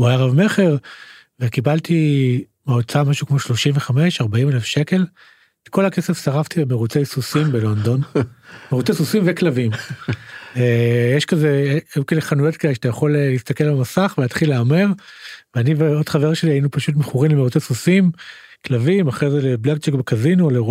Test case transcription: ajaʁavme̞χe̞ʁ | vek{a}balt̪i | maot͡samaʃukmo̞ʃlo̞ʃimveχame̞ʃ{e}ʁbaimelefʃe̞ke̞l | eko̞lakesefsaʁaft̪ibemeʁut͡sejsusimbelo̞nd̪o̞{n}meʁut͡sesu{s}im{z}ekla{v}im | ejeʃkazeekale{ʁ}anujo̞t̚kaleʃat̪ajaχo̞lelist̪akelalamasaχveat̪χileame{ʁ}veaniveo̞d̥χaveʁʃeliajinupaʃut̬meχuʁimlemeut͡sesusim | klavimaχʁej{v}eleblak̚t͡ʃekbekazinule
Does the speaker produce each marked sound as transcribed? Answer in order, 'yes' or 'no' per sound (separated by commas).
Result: no, no, yes, yes, no, yes, no, yes, no